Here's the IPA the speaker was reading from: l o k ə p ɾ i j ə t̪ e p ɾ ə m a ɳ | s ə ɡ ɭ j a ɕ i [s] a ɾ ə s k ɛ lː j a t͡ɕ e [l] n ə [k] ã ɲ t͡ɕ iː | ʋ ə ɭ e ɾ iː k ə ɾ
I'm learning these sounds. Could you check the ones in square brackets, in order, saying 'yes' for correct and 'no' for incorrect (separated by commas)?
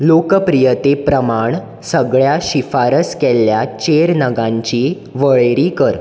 no, no, no